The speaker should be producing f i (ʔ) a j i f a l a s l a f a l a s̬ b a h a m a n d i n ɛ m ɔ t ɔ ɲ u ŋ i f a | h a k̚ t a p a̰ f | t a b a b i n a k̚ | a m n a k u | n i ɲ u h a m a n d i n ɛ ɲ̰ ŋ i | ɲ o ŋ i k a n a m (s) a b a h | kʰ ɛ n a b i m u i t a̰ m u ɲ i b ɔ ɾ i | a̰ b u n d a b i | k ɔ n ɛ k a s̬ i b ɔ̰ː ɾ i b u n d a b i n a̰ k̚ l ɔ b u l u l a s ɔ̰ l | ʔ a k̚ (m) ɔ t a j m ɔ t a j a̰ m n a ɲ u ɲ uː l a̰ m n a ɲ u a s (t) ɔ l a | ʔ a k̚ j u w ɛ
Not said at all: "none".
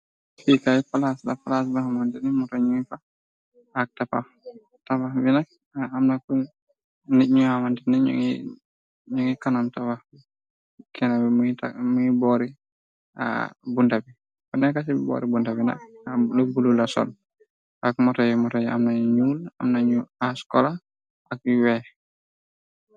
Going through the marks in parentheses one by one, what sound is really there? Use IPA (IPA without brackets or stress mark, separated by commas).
k, t, m, k